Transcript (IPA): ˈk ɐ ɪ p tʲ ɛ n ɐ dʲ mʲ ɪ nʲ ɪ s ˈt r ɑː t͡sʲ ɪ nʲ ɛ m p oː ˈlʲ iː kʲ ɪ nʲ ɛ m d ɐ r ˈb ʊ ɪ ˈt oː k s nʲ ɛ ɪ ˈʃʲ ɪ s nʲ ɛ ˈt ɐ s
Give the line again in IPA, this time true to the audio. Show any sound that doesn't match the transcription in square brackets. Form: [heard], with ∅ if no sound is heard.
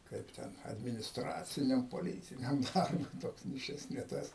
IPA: ˈk ɐ ɪ p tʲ ɛ n ɐ dʲ mʲ ɪ nʲ ɪ s ˈt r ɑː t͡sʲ ɪ nʲ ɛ m p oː ˈlʲ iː [tʲ] ɪ nʲ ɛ m d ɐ r ˈb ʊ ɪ ˈt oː k s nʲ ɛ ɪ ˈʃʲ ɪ s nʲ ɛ ˈt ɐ s

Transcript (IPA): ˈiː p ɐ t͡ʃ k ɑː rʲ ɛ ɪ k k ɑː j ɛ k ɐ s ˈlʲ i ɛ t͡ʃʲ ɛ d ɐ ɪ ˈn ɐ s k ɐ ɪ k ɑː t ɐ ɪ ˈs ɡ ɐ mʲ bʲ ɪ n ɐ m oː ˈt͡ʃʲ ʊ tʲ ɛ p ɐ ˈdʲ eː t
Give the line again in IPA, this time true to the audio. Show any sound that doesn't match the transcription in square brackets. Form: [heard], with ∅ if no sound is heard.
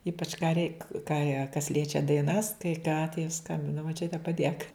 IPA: ˈiː p ɐ t͡ʃ k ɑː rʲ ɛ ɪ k k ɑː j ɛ k ɐ s ˈlʲ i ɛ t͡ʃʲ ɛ d ɐ ɪ ˈn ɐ s k ɐ ɪ k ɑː t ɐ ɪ ˈs [k] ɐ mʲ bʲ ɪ n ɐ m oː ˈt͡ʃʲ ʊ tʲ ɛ p ɐ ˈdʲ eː [k]

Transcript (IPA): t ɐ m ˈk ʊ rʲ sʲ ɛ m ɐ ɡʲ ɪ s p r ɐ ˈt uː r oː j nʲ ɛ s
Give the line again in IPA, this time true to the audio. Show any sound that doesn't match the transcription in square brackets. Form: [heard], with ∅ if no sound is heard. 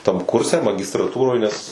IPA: t ɐ m ˈk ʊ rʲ sʲ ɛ m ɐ ɡʲ ɪ s [t] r ɐ ˈt uː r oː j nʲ ɛ s

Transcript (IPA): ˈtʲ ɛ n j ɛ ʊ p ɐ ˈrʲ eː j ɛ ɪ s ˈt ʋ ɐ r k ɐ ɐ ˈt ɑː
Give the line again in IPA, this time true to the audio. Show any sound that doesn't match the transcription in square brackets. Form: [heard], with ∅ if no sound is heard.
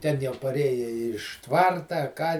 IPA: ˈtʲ ɛ n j ɛ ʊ p ɐ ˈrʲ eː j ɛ ɪ [ʃ] ˈt ʋ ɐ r [t] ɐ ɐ [ˈk] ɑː

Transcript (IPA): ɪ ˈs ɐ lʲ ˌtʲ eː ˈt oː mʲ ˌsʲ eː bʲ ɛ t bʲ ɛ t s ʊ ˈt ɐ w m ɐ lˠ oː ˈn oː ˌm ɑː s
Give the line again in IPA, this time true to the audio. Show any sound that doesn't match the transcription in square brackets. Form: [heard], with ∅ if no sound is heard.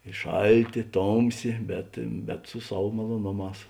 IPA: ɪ [ˈʃ] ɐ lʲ ˌtʲ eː ˈt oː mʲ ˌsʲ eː bʲ ɛ t bʲ ɛ t s ʊ [ˈs] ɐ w m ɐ lˠ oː ˈn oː ˌm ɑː s

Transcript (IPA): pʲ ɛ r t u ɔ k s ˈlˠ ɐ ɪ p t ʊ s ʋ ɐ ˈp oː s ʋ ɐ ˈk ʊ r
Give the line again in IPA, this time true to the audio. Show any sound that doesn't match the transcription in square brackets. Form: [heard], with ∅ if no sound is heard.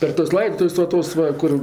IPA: pʲ ɛ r t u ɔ [∅] s ˈlˠ ɐ ɪ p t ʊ s ʋ ɐ [ˈt] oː s ʋ ɐ ˈk ʊ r

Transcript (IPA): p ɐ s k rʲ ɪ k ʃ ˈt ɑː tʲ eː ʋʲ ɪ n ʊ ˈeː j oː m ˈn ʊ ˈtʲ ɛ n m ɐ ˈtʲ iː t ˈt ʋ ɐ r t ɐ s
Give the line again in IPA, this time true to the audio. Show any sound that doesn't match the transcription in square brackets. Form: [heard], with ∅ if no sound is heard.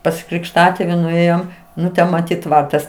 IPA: p ɐ s k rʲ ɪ k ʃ ˈt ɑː tʲ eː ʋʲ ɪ n ʊ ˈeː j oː m ˈn ʊ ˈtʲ ɛ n m ɐ ˈtʲ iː t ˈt ʋ ɐ r t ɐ s

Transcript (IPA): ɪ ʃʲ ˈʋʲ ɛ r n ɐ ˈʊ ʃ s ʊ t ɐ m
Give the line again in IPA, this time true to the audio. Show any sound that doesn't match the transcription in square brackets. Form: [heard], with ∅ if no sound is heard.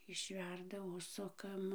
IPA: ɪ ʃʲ ˈʋʲ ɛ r [d] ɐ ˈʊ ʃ s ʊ [k] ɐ m

